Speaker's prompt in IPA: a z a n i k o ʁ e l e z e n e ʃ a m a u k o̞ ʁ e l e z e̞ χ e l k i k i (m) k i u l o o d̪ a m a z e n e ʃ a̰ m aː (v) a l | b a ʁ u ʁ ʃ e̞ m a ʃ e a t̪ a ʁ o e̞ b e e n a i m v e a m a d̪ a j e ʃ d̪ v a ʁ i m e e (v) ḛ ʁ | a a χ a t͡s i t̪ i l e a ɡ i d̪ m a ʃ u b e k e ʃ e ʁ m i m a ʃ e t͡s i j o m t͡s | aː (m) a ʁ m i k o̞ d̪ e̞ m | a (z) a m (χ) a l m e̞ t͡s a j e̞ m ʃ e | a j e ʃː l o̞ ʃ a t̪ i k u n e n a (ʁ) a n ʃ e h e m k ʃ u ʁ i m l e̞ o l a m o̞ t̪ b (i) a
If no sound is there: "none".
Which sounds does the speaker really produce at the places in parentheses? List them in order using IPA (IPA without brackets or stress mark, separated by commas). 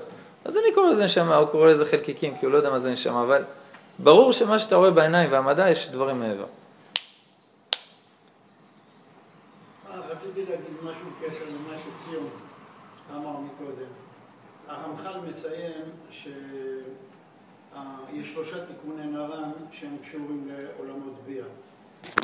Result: m, v, v, m, ʁ, χ, ʁ, i